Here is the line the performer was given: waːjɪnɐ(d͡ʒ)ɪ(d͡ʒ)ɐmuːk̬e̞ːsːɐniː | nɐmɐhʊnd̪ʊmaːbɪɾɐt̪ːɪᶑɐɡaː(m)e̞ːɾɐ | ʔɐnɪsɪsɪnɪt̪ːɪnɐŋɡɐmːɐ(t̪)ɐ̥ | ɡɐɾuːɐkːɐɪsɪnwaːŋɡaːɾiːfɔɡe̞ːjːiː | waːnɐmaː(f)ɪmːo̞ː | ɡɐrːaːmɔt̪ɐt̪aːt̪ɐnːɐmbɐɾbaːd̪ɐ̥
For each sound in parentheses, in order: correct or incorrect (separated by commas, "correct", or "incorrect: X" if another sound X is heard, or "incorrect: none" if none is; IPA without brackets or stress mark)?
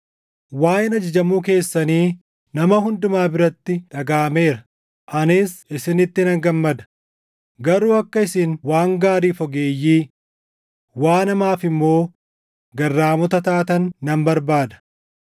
correct, correct, correct, incorrect: d̪, correct